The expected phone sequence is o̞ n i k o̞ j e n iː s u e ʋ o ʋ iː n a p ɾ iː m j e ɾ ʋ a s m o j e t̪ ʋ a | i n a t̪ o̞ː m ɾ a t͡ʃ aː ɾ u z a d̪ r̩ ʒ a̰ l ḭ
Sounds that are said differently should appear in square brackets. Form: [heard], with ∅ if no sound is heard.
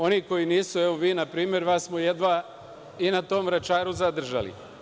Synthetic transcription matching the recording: o̞ n i k o̞ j [i] n iː s u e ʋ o ʋ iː n a p ɾ iː m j e ɾ ʋ a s m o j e [d̪] ʋ a | i n a t̪ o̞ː m ɾ a t͡ʃ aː ɾ u z a d̪ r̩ ʒ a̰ l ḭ